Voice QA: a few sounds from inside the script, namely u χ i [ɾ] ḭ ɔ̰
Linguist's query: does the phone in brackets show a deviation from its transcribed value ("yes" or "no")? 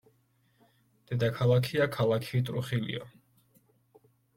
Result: yes